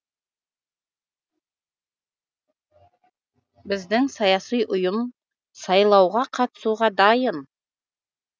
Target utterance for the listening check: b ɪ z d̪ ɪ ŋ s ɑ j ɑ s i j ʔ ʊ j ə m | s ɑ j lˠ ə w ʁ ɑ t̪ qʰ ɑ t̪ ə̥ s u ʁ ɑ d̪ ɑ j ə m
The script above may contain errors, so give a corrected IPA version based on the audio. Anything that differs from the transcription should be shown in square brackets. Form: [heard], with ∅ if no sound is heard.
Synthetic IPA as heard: b ɪ z d̪ ɪ ŋ s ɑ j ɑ s i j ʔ ʊ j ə m | s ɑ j lˠ [ɑ] w ʁ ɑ [∅] qʰ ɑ t̪ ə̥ s u ʁ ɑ d̪ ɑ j ə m